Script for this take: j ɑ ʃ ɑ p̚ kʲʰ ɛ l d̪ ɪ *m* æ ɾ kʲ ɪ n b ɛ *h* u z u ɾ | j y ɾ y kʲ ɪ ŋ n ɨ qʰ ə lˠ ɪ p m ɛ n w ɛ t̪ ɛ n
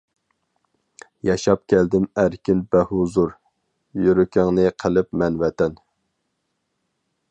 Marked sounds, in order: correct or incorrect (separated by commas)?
correct, correct